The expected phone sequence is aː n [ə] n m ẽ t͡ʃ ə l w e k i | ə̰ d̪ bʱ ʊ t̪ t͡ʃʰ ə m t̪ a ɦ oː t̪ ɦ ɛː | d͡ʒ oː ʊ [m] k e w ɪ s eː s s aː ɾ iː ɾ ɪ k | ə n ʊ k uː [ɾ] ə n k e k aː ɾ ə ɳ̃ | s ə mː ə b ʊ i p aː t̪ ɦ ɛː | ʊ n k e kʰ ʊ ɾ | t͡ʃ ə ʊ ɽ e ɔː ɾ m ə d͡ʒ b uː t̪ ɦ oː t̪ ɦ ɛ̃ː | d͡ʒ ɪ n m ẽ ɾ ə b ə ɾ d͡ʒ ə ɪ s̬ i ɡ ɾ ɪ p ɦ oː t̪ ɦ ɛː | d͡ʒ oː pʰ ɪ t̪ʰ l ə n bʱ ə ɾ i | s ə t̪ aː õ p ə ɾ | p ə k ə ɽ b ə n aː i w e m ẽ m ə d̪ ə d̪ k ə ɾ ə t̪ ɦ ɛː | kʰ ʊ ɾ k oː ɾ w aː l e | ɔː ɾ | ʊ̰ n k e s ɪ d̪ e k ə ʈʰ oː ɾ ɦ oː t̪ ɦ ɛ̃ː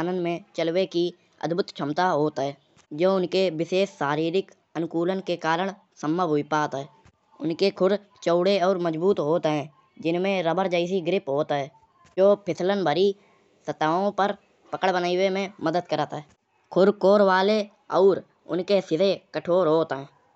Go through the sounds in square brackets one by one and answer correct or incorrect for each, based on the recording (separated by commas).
correct, incorrect, incorrect